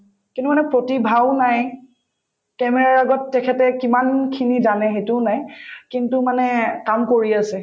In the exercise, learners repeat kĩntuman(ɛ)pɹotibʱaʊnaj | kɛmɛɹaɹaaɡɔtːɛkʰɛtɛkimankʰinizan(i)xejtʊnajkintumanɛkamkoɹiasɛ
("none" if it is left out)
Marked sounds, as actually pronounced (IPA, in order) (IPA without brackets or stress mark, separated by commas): ɛ, ɛ